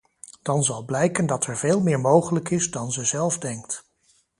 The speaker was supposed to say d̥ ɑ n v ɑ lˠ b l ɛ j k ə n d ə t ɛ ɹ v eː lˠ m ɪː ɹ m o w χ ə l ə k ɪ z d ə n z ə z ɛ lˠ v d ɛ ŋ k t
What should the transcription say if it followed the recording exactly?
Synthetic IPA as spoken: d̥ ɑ n z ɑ lˠ b l ɛ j k ə n d ɑ t ɛ ɹ v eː lˠ m ɪː ɹ m o w χ ə l ə k ɪ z d ɑ n z ə z ɛ lˠ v d ɛ ŋ k t